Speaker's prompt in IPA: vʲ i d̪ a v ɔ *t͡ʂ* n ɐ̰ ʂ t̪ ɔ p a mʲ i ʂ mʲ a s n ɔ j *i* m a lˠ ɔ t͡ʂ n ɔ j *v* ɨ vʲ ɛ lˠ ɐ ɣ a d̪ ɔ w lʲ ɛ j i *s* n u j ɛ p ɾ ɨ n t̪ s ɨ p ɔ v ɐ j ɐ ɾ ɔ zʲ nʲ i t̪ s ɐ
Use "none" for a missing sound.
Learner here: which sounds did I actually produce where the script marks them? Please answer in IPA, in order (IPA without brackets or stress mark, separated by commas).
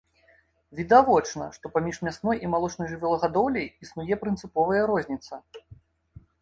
t͡ʂ, i, ʐ, s